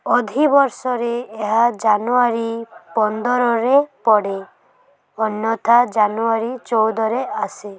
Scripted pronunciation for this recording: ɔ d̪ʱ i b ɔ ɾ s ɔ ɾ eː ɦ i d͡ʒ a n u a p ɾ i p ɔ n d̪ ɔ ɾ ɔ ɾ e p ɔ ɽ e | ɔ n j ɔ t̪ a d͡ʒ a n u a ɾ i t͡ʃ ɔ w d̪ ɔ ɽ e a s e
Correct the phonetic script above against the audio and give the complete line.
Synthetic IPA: ɔ d̪ʱ i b ɔ ɾ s ɔ ɾ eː ɦ a d͡ʒ a n u a ɾ i p ɔ n d̪ ɔ ɾ ɔ ɾ e p ɔ ɽ e | ɔ n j ɔ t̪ a d͡ʒ a n u a ɾ i t͡ʃ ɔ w d̪ ɔ ɾ e a s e